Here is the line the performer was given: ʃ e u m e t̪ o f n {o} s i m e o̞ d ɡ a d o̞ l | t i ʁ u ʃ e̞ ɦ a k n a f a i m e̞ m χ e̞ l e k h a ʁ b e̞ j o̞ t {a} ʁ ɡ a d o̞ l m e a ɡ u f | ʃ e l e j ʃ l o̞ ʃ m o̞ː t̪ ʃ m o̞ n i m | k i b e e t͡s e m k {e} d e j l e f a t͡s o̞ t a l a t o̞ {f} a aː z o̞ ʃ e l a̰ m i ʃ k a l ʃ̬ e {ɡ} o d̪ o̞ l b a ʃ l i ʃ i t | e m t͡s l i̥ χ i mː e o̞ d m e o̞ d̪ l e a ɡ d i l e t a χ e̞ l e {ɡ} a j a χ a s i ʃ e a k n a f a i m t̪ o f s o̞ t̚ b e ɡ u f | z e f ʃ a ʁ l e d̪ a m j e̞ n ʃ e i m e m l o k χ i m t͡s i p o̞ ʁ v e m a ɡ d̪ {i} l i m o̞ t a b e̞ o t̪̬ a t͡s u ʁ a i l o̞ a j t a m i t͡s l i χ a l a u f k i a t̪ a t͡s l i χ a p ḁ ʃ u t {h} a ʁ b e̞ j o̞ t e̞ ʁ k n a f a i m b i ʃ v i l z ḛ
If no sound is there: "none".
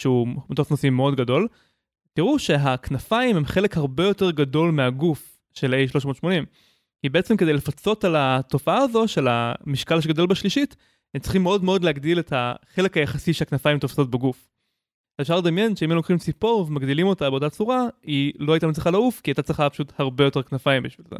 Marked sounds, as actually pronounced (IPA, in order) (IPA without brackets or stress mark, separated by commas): o, e, e, f, ɡ, k, i, h